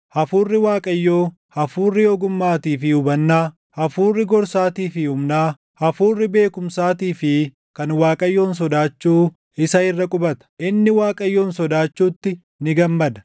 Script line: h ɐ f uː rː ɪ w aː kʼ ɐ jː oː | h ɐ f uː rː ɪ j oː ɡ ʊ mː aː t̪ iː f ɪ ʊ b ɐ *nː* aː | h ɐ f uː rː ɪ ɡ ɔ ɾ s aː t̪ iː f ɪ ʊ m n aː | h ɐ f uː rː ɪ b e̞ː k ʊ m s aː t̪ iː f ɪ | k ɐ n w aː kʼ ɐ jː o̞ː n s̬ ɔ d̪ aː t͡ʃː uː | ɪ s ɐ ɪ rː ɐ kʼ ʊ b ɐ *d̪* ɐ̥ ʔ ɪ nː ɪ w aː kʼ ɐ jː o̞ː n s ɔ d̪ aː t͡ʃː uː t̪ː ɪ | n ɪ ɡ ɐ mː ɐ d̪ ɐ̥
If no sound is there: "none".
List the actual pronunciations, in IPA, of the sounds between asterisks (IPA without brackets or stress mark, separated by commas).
nː, t̪